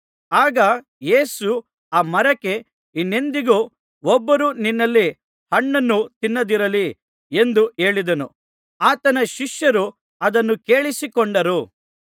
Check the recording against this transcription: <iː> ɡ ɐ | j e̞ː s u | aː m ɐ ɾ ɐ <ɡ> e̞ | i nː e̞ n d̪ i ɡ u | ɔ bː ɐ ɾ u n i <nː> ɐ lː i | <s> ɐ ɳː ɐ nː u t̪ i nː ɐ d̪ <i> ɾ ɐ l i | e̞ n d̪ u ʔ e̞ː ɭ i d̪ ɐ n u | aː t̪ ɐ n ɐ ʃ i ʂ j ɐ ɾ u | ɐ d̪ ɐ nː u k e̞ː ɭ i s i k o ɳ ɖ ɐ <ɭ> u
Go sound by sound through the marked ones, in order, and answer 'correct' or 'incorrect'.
incorrect: aː, incorrect: k, correct, incorrect: h, correct, incorrect: ɾ

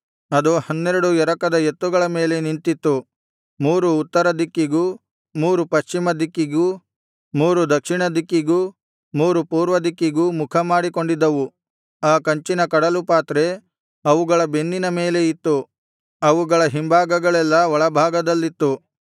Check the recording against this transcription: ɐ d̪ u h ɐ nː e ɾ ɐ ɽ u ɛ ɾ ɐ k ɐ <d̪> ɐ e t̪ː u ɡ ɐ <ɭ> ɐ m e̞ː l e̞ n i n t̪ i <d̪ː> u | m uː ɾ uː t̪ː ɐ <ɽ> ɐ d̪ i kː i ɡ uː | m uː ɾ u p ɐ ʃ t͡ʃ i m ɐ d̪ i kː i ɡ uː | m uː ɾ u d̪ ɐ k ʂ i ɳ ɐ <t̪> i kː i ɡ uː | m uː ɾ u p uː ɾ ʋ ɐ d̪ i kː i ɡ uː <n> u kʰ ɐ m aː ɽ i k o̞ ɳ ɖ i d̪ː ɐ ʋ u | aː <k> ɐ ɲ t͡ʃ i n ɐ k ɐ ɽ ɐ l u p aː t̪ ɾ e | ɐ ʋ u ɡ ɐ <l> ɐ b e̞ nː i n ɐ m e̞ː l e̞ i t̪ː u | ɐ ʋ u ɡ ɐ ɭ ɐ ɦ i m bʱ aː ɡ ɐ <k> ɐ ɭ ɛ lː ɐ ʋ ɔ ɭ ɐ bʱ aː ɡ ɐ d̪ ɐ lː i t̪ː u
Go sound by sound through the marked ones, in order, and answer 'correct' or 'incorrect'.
correct, correct, incorrect: t̪ː, incorrect: ɾ, incorrect: d̪, incorrect: m, correct, incorrect: ɭ, incorrect: ɡ

